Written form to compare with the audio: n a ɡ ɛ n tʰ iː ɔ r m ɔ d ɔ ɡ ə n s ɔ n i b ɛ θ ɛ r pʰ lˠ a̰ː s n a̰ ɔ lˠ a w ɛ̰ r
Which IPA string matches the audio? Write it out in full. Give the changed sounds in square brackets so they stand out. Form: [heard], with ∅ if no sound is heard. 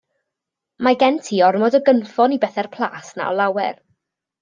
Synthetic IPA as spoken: [m] a ɡ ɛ n tʰ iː ɔ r m ɔ d ɔ ɡ ə n [f] ɔ n i b ɛ θ ɛ r pʰ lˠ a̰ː s n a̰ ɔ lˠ a w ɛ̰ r